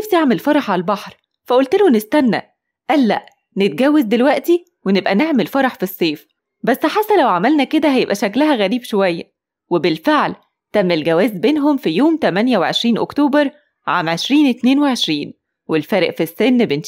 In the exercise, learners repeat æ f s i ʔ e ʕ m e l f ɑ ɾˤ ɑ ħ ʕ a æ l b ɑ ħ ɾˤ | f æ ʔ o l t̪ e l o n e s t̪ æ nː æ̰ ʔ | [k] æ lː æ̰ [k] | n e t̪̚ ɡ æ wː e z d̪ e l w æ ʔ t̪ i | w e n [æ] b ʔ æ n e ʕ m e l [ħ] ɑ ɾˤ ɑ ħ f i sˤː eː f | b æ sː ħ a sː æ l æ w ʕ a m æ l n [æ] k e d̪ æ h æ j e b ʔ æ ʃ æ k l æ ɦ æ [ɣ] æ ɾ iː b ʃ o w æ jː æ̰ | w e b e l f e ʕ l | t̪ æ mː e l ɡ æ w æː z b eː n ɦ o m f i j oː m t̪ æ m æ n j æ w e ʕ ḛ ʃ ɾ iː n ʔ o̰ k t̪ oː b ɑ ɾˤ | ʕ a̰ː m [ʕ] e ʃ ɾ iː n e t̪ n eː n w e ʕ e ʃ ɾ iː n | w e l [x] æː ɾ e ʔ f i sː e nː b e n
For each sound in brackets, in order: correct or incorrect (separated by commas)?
incorrect, incorrect, incorrect, incorrect, correct, correct, correct, incorrect